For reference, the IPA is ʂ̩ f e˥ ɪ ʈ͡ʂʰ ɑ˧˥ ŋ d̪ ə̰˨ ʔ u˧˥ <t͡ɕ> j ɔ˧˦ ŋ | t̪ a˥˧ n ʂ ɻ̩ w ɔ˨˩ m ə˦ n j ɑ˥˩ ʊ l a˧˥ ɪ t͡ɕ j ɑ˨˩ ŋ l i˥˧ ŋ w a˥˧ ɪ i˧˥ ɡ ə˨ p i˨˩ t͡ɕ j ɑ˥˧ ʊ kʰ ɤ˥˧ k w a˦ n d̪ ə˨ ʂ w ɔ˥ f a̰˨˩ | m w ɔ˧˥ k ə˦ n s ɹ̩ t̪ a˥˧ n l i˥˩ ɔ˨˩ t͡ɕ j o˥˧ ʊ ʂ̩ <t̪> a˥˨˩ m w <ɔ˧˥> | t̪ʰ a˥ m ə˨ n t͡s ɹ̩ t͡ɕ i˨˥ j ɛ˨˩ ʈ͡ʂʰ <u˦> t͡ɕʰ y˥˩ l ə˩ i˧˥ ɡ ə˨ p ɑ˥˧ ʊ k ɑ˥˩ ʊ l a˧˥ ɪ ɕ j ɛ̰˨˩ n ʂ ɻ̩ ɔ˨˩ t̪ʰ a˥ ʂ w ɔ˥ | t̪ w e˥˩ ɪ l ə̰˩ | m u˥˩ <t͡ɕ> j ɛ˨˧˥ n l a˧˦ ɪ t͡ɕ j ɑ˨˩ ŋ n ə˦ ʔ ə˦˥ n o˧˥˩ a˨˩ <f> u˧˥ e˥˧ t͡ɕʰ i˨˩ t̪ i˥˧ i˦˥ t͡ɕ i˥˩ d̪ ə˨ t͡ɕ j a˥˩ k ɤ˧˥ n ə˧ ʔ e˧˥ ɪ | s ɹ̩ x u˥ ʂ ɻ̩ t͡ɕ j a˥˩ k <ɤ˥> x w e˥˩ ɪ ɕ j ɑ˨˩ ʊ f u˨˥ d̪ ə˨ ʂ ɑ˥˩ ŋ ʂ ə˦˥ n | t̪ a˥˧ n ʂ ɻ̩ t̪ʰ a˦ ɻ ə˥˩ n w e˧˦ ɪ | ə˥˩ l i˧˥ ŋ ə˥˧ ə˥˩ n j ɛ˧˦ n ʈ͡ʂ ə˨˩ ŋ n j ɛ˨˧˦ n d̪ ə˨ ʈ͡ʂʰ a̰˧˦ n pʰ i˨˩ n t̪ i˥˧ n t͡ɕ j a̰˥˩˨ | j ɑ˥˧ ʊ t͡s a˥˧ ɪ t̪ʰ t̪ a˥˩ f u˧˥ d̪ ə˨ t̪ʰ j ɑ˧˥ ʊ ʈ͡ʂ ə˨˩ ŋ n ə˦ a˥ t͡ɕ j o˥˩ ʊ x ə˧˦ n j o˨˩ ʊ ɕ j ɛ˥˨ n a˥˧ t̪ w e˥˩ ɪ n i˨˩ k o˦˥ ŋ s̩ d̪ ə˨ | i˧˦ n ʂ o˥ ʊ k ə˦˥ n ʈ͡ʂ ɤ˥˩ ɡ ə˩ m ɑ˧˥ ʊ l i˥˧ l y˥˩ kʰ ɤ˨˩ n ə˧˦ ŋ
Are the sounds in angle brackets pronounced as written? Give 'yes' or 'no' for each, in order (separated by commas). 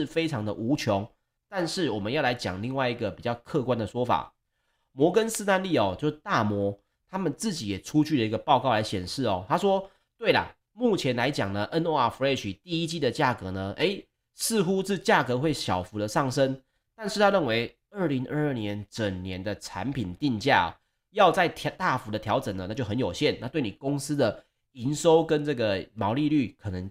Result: no, yes, yes, yes, no, yes, no